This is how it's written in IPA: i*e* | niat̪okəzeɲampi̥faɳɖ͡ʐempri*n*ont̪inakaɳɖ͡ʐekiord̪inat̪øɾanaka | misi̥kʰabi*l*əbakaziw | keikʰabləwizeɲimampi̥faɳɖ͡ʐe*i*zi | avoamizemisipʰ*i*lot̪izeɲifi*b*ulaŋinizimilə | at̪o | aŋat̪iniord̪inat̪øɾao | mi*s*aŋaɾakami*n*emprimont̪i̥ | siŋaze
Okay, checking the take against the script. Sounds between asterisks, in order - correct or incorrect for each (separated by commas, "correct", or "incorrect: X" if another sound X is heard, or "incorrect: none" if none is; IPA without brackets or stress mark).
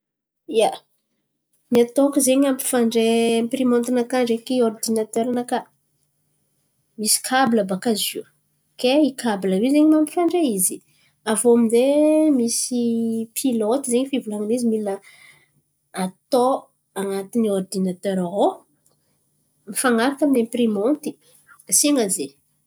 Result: incorrect: a, incorrect: m, correct, correct, correct, incorrect: v, incorrect: f, correct